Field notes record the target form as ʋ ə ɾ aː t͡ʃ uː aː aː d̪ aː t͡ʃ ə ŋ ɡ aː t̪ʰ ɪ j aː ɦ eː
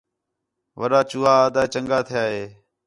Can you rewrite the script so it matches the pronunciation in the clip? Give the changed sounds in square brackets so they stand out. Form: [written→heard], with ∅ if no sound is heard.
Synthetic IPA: ʋ ə ɾ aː t͡ʃ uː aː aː d̪ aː t͡ʃ ə ŋ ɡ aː t̪ʰ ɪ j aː ɦ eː